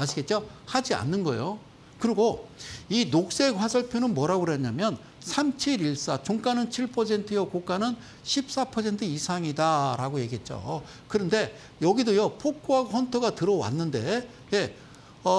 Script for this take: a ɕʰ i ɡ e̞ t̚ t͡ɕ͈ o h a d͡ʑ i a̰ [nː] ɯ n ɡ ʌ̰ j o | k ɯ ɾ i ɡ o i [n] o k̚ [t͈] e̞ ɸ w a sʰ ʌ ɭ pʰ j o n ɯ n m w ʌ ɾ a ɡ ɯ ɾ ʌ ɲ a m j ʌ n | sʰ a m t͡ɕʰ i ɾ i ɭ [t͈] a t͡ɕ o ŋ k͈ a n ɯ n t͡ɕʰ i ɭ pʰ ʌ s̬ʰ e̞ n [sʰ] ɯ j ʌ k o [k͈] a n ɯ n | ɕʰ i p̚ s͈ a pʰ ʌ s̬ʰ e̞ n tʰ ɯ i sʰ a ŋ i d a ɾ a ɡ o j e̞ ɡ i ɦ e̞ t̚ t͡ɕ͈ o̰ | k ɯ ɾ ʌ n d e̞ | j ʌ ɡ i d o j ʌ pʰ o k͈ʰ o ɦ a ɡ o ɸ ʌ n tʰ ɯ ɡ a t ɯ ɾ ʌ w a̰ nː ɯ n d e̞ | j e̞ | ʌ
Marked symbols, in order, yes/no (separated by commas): yes, yes, no, no, no, yes